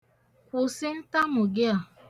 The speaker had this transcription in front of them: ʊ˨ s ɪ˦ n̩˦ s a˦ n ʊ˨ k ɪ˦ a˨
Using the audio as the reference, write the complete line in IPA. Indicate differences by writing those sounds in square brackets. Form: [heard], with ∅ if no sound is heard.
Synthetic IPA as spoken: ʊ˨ s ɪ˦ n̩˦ [t] a˦ [m] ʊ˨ [ɡ] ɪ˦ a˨

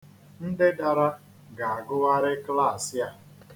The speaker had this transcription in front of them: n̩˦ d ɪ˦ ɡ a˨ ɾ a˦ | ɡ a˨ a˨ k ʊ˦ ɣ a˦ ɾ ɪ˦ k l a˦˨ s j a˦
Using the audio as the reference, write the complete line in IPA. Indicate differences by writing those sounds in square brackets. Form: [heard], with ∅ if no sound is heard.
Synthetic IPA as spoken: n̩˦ d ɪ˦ [d] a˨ ɾ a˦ | ɡ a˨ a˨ [ɡ] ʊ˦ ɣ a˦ ɾ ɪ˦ k l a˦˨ s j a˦

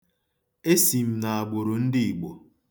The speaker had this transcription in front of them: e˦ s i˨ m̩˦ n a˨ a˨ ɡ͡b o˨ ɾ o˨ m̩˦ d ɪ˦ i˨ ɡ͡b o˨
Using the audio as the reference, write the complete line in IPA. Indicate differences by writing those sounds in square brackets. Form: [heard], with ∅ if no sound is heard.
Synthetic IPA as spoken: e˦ s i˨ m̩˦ n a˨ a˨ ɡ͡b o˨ ɾ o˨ [n̩˦] d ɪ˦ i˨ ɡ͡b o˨

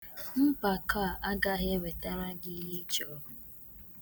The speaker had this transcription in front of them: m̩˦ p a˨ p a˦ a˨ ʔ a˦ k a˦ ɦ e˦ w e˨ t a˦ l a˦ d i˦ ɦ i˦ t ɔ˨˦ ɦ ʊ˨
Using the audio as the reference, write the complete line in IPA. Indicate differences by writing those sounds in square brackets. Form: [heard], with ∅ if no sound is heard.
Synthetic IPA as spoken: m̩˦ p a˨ [k] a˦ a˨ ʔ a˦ [ɡ] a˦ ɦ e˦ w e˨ t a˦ [ɾ] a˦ [ɡ] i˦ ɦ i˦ [t͡ʃ] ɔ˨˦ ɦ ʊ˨

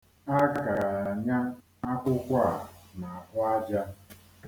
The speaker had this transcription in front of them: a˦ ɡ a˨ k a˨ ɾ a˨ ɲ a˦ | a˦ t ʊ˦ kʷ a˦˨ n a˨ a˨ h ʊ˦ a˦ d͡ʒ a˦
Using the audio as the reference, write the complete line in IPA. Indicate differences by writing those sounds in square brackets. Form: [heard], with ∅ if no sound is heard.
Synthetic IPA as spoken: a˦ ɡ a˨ k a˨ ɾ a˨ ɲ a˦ | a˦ [k] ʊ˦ kʷ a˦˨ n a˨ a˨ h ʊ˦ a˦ d͡ʒ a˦

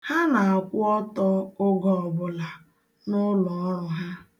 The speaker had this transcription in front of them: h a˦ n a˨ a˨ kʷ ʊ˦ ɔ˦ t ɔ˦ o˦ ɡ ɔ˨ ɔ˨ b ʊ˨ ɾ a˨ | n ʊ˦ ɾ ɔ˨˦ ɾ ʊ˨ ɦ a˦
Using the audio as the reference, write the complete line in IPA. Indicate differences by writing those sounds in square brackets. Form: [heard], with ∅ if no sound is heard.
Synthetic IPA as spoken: h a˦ n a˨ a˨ kʷ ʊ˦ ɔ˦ t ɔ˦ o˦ ɡ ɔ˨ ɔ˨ b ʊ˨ [l] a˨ | n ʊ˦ [l] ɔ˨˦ ɾ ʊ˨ ɦ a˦

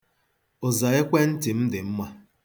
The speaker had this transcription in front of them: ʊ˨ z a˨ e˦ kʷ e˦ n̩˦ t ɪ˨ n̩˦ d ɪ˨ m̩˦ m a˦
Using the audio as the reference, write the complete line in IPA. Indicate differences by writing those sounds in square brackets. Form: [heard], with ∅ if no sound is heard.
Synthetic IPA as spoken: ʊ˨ z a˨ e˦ kʷ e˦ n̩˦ t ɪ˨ [m̩˦] d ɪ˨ m̩˦ m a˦

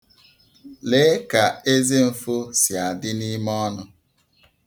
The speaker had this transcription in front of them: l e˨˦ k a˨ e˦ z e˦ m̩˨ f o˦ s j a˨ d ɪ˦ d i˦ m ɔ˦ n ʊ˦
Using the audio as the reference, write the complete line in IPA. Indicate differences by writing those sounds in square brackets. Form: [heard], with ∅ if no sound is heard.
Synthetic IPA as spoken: l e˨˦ k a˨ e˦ z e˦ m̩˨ f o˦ s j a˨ d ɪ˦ [n] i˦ m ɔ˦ n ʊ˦

